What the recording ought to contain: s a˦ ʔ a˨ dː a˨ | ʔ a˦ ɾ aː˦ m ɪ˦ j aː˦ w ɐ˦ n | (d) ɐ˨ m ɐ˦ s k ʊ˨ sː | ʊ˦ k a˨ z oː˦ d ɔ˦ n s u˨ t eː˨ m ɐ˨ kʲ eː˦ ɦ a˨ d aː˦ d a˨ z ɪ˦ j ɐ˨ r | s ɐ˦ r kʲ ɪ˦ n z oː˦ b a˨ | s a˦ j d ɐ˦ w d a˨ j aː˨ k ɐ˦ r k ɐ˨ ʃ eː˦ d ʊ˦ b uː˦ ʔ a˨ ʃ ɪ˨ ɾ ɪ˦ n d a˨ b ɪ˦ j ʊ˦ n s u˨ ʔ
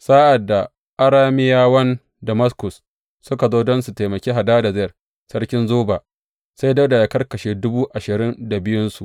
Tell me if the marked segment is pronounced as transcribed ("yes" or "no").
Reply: yes